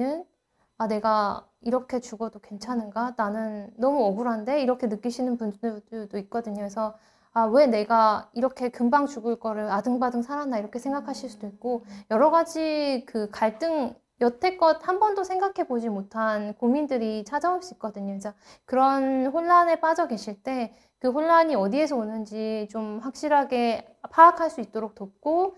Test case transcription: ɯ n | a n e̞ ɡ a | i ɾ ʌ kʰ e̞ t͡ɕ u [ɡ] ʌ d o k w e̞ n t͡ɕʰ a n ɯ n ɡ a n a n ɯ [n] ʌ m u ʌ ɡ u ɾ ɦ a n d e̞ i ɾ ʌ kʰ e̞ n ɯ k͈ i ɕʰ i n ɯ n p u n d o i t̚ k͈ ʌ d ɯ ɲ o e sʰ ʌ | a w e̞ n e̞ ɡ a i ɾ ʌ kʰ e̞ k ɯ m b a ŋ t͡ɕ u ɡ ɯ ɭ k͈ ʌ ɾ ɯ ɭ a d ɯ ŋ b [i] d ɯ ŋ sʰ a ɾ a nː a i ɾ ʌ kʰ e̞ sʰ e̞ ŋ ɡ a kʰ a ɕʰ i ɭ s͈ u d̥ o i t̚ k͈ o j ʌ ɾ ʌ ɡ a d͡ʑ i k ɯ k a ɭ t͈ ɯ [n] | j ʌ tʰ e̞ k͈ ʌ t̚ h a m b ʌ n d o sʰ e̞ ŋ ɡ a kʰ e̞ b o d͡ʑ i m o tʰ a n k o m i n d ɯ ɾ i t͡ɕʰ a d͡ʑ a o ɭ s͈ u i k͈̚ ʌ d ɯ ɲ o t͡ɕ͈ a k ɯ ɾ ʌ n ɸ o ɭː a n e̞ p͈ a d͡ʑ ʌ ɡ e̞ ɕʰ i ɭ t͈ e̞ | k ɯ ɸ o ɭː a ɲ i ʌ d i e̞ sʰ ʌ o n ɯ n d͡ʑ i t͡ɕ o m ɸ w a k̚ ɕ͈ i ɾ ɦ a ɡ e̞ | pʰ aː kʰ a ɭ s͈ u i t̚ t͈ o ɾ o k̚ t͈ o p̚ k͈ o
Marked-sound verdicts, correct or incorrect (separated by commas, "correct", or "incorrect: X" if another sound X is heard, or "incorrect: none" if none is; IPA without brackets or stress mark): correct, incorrect: nː, incorrect: a, incorrect: ŋ